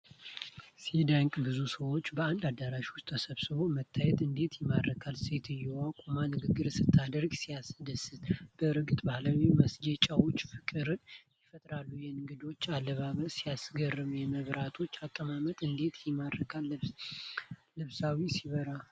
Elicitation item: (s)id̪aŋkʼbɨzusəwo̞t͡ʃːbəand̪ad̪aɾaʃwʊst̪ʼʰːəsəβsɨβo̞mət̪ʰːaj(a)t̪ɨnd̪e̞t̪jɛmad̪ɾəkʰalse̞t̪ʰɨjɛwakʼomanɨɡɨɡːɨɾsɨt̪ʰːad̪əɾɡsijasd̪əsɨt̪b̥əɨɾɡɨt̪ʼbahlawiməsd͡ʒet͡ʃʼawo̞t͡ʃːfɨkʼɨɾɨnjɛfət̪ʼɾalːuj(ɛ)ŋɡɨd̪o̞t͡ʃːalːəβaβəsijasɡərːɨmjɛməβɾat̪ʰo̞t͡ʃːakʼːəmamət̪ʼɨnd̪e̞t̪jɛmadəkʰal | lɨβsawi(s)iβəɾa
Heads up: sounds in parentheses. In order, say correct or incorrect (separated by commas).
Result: correct, incorrect, correct, correct